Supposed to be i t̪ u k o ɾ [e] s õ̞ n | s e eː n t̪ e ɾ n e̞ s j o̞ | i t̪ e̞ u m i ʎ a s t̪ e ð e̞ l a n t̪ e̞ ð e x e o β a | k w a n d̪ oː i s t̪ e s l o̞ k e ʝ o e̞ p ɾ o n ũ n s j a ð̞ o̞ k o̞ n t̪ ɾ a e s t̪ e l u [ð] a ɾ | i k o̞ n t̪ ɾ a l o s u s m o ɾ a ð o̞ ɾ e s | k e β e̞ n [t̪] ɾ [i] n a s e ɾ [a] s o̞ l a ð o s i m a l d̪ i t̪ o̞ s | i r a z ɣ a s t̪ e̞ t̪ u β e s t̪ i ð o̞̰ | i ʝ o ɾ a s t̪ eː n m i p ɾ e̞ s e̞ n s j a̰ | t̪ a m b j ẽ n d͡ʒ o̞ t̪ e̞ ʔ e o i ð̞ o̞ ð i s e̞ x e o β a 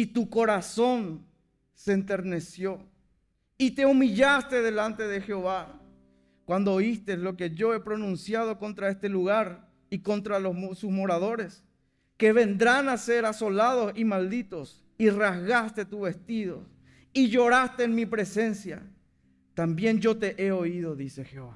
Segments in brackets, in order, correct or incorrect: incorrect, incorrect, incorrect, incorrect, correct

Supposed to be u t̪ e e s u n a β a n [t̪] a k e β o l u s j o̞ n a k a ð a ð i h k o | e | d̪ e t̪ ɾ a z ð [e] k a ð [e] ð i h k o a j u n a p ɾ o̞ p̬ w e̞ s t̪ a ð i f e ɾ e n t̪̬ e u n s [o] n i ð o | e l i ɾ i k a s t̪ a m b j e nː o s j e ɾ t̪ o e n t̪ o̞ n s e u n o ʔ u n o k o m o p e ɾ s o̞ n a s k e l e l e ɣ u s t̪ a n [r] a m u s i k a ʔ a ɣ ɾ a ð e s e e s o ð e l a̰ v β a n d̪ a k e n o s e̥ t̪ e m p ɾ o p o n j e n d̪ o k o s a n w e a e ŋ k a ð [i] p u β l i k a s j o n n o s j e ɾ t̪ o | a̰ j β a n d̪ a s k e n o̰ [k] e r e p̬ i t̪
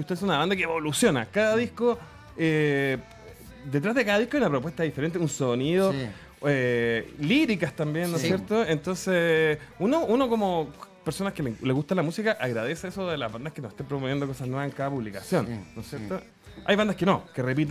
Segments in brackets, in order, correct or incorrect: incorrect, correct, incorrect, correct, incorrect, incorrect, correct

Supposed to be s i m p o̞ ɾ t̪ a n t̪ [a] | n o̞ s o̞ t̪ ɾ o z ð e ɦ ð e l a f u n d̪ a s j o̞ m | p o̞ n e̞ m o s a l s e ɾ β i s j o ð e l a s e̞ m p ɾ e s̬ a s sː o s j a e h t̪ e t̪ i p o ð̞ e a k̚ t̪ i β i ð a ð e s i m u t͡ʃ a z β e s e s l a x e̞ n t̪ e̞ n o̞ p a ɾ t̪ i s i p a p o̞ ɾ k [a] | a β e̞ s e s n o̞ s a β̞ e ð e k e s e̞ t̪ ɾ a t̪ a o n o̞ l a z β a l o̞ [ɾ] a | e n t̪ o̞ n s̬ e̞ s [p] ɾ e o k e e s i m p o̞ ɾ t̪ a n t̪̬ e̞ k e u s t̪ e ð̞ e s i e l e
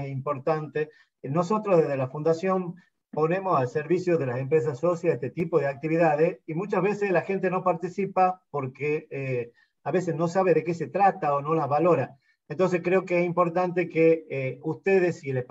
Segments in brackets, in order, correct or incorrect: incorrect, incorrect, correct, incorrect

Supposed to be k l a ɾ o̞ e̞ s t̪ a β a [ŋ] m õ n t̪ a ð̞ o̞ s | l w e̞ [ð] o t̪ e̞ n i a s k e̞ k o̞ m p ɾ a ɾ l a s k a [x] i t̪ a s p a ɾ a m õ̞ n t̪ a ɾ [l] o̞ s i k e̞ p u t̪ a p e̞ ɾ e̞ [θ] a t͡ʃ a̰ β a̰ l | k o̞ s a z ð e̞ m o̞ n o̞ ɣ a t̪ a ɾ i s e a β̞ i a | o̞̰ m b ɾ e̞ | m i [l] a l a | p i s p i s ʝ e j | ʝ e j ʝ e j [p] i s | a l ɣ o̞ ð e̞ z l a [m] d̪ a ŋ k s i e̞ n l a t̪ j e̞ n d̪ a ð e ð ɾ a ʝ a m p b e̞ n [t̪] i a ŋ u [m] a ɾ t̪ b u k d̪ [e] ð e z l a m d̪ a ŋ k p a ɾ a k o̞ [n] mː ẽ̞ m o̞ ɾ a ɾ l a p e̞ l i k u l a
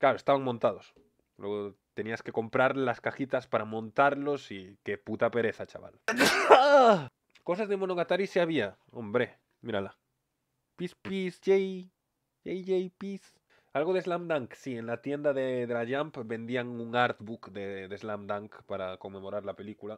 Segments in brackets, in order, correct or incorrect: correct, incorrect, correct, correct, correct, incorrect, correct, correct, incorrect, incorrect, correct, incorrect

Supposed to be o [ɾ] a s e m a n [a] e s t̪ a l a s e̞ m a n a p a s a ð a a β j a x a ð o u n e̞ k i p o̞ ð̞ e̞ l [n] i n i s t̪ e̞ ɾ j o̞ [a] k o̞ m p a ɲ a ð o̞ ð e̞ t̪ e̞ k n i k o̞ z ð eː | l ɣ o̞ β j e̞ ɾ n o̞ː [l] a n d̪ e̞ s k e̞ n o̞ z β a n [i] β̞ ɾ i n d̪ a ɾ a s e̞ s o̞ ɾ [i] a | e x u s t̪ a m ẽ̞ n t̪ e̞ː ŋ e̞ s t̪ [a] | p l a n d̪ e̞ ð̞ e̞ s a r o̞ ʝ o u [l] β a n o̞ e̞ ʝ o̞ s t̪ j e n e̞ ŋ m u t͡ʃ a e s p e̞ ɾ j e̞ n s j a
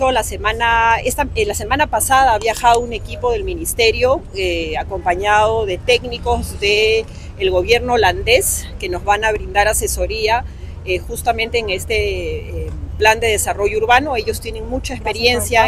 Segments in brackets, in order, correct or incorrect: incorrect, correct, incorrect, correct, correct, incorrect, correct, incorrect, incorrect

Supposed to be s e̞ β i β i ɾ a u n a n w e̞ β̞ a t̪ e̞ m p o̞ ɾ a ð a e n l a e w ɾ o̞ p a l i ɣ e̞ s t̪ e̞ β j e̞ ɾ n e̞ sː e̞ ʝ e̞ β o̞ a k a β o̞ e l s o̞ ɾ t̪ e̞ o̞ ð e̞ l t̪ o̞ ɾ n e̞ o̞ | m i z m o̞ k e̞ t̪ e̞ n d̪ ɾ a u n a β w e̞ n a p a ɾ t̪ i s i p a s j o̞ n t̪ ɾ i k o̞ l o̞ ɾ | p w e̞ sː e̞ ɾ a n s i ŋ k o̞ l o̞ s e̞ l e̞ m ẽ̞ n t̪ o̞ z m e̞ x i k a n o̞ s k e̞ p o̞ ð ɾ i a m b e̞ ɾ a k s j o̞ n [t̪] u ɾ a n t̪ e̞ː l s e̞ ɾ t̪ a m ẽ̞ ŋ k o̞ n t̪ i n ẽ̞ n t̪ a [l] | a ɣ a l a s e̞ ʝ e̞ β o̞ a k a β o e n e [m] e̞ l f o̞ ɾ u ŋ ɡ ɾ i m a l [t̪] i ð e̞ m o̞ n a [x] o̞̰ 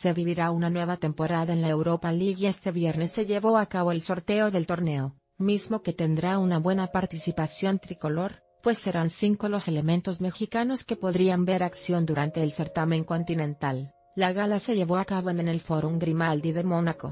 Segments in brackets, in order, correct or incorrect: incorrect, incorrect, incorrect, incorrect, incorrect

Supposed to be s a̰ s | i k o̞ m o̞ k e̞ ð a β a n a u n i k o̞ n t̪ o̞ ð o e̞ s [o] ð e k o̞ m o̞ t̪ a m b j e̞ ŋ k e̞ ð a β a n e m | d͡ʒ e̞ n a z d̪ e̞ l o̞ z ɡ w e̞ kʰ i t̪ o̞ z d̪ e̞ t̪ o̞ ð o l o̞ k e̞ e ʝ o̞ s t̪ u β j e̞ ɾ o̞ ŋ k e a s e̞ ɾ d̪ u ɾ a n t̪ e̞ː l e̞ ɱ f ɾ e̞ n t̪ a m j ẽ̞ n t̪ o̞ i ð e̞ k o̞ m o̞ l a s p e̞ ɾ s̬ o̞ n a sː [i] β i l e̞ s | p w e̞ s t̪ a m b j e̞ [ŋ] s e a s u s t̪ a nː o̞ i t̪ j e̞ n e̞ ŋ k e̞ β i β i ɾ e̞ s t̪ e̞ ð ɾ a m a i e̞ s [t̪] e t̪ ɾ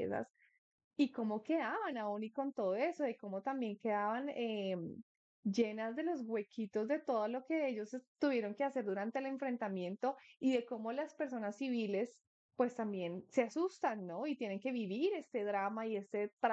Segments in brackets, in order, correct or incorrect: correct, correct, incorrect, correct

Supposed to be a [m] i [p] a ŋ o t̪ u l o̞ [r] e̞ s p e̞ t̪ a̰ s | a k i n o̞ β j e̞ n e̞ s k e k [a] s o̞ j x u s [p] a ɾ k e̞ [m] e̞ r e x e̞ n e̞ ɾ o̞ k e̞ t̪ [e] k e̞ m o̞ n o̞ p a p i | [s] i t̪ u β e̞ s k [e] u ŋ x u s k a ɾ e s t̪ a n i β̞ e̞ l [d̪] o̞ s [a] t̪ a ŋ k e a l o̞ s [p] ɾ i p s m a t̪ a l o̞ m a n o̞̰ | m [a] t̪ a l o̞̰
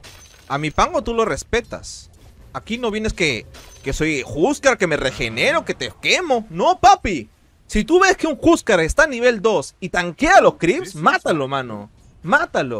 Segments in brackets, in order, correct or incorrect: correct, correct, correct, incorrect, incorrect, correct, correct, correct, correct, correct, incorrect, incorrect, correct

